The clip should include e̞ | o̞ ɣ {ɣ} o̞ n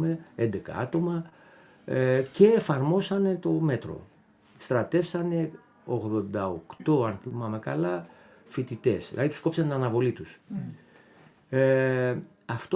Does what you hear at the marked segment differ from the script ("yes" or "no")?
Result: yes